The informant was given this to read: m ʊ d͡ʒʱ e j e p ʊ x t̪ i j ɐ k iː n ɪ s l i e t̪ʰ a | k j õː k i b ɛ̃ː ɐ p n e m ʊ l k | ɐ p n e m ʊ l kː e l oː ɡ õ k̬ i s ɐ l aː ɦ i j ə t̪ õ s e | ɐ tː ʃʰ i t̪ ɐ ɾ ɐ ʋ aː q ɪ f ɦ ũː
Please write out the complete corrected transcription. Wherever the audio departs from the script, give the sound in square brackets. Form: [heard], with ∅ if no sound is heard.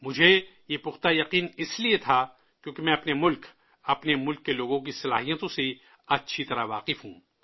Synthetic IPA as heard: m ʊ d͡ʒʱ e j e p ʊ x t̪ [a] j ɐ [q] iː n ɪ s l i e t̪ʰ a | k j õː k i [m] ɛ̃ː ɐ p n e m ʊ l k | ɐ p n e m ʊ l kː e l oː ɡ õ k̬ i s ɐ l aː ɦ i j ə t̪ õ s e | ɐ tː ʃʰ i t̪ ɐ ɾ [a] ʋ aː q ɪ f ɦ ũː

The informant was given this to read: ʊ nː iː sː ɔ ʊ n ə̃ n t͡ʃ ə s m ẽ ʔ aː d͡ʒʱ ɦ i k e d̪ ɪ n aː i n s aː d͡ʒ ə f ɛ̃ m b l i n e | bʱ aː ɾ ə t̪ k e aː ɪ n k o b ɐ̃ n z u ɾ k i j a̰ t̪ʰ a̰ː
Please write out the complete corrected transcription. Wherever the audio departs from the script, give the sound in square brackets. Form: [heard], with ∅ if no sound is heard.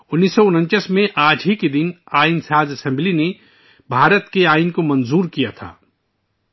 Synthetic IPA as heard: ʊ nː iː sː ɔ ʊ n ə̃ n t͡ʃ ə s m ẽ ʔ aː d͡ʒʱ ɦ i k e d̪ ɪ n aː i n s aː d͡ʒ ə [s] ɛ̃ m b l i n e | bʱ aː ɾ ə t̪ k e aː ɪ n k o [m] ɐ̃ n z [uː] ɾ k i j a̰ t̪ʰ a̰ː

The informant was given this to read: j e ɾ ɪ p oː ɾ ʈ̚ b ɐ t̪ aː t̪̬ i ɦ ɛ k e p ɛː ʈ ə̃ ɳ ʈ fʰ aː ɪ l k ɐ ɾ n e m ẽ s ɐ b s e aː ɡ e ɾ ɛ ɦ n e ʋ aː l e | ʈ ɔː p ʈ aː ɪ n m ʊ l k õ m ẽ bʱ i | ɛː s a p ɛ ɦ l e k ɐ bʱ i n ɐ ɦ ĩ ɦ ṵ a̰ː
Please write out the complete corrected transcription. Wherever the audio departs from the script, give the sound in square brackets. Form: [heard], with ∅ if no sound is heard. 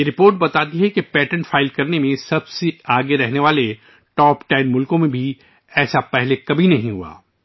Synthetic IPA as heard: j e ɾ ɪ p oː ɾ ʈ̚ b ɐ t̪ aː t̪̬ i ɦ ɛ k e p ɛː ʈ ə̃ ɳ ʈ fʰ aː ɪ l k ɐ ɾ n e m ẽ s ɐ b s e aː ɡ e ɾ ɛ ɦ n e ʋ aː l e | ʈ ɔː p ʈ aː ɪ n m ʊ l k õ m ẽ bʱ i | ɛː s a p ɛ ɦ l e k ɐ bʱ i n ɐ ɦ ĩ ɦ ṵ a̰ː

